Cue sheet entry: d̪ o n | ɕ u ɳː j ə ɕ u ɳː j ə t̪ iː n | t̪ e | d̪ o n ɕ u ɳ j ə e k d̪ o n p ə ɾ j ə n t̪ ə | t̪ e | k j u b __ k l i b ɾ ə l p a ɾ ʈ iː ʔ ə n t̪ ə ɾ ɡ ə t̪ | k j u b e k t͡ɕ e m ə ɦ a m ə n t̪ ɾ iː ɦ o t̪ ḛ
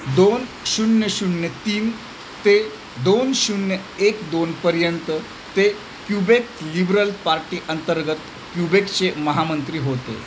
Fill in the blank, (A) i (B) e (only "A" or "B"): B